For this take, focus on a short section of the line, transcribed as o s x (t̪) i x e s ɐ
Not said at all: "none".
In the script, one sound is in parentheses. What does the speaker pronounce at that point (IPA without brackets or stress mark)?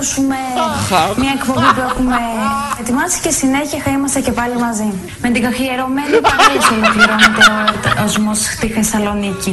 t̪